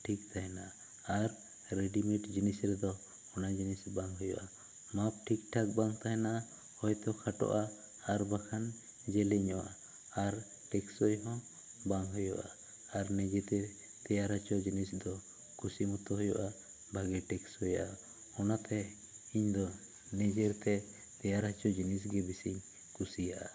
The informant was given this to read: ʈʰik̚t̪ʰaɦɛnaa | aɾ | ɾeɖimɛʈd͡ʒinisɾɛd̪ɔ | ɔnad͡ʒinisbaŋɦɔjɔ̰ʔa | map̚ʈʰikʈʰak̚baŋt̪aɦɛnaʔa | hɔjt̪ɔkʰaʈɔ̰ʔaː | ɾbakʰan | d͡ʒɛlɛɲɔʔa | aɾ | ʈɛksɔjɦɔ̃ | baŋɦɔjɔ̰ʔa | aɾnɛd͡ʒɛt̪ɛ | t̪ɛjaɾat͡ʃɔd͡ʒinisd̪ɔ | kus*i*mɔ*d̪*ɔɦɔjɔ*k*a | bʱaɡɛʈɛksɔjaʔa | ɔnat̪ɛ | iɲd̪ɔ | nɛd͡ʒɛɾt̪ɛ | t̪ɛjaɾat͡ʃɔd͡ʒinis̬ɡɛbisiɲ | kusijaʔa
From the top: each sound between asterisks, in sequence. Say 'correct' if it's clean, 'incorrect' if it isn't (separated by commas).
correct, incorrect, incorrect